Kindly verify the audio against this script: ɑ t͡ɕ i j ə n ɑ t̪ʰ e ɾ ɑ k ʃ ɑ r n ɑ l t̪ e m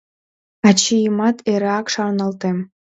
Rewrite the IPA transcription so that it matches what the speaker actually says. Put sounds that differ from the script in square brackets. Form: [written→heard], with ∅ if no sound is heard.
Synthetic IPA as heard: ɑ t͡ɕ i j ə [n→m] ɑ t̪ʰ e ɾ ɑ k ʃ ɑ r n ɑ l t̪ e m

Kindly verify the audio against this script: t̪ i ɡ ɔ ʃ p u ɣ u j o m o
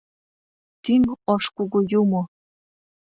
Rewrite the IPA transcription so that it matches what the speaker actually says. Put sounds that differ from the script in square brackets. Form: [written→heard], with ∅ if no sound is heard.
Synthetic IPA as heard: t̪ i [ɡ→ŋ] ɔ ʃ [p→k] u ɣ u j [o→u] m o

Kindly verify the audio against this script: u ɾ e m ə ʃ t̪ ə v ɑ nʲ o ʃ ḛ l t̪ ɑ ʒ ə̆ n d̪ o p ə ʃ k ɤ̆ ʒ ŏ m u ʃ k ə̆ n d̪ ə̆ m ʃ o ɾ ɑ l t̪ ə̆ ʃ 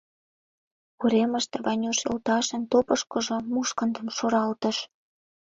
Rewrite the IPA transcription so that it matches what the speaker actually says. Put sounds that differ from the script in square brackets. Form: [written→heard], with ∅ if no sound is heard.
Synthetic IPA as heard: u ɾ e m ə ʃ t̪ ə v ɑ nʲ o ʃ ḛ l t̪ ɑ [ʒ→ʃ] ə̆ n [d̪→t̪] o p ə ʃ k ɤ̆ ʒ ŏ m u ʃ k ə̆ n d̪ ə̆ m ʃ o ɾ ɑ l t̪ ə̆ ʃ

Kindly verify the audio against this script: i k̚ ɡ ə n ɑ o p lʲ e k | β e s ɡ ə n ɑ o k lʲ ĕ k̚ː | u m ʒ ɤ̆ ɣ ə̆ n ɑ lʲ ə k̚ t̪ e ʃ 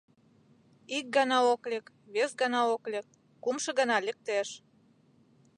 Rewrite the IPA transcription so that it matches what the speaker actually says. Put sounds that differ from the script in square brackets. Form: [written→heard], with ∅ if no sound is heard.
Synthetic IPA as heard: i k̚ ɡ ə n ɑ o [p→k] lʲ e k | β e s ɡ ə n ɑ o k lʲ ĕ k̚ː | u m [ʒ→ʃ] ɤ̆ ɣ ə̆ n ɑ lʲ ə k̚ t̪ e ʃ

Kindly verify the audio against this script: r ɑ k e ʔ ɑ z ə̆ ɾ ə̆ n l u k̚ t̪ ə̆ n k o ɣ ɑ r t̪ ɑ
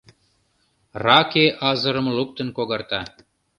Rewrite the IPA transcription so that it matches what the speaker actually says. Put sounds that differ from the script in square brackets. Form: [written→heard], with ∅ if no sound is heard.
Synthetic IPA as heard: r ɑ k e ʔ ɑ z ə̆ ɾ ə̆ [n→m] l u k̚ t̪ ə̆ n k o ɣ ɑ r t̪ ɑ

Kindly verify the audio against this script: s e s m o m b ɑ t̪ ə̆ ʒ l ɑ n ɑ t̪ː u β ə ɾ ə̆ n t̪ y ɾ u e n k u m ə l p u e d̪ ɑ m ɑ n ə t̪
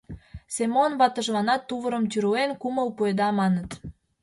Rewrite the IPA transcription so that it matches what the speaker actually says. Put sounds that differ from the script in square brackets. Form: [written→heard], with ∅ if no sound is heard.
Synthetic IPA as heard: s e [s→∅] m o [m→n] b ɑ t̪ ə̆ ʒ l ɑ n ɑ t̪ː u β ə ɾ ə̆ [n→m] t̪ y ɾ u e n k u m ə l p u e d̪ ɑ m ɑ n ə t̪

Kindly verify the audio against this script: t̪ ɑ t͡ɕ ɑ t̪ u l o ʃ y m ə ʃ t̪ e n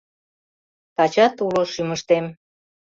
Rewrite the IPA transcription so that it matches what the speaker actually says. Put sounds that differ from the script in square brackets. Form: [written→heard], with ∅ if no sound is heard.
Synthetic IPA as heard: t̪ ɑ t͡ɕ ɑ t̪ u l o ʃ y m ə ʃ t̪ e [n→m]

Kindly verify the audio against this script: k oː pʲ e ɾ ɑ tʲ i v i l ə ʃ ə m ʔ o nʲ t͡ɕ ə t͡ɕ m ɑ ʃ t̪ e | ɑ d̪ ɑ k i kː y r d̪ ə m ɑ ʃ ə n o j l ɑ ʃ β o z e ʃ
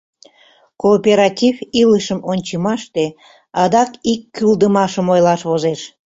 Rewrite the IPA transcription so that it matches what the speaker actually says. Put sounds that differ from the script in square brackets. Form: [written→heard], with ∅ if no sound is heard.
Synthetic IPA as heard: k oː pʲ e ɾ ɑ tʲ i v i l ə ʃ ə m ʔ o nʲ t͡ɕ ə [t͡ɕ→∅] m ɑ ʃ t̪ e | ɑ d̪ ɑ k i kː y [r→l] d̪ ə m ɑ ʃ ə [n→m] o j l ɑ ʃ β o z e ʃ

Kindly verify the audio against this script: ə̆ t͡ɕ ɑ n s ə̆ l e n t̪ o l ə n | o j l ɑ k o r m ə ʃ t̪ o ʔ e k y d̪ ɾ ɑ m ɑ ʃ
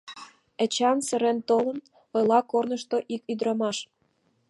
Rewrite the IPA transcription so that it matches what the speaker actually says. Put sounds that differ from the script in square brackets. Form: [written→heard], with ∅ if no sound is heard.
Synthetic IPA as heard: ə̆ t͡ɕ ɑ n s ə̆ [l→ɾ] e n t̪ o l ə n | o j l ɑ k o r [m→n] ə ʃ t̪ o ʔ [e→i] k y d̪ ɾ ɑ m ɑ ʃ

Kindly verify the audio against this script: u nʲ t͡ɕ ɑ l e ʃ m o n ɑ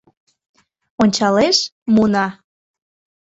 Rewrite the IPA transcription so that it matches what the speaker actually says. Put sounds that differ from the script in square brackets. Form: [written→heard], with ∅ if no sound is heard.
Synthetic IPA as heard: [u→o] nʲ t͡ɕ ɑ l e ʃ m [o→u] n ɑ

